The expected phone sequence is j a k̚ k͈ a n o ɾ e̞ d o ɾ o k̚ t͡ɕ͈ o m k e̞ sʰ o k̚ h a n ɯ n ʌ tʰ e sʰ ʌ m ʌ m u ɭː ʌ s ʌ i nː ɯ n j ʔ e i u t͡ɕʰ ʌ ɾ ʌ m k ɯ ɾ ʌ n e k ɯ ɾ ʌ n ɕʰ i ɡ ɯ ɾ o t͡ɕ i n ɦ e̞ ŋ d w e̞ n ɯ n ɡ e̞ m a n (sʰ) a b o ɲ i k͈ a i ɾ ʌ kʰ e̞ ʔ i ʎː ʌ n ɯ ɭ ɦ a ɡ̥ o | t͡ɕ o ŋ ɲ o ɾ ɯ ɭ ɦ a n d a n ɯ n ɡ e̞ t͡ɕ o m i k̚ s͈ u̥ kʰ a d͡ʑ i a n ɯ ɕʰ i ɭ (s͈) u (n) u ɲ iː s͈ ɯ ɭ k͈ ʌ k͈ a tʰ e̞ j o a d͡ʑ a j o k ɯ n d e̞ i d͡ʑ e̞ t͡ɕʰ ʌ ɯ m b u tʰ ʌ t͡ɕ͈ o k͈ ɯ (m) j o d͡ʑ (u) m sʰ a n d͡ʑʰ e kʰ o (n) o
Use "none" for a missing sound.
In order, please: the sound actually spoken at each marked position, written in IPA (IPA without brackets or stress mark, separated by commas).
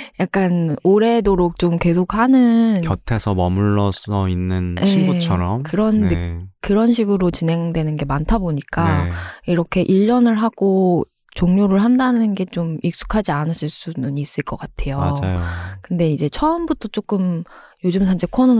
tʰ, s͈, n, m, ɯ, n